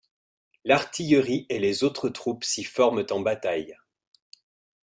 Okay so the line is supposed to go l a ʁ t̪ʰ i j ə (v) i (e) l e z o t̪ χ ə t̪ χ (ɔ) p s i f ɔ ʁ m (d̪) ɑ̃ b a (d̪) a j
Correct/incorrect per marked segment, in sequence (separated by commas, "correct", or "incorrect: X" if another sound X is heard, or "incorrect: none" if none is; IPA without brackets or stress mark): incorrect: ʁ, correct, incorrect: u, incorrect: t̪, incorrect: t̪